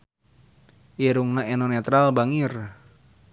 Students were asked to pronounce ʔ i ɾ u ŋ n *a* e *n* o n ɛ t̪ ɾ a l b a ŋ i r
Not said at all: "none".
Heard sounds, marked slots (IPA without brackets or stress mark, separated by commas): a, n